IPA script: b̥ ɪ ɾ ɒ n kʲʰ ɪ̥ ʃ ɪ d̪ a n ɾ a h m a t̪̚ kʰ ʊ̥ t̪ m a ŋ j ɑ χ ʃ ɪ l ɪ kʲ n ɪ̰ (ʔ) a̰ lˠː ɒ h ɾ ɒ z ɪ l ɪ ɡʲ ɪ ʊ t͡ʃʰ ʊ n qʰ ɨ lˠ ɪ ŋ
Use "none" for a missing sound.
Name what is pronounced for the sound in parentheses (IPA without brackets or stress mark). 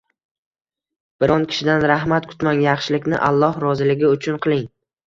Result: ʔ